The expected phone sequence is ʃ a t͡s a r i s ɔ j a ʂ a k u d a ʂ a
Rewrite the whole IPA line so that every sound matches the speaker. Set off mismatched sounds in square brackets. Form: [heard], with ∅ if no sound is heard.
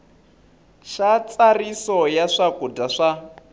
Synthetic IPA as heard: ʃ a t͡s a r i s ɔ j a ʂ a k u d a ʂ a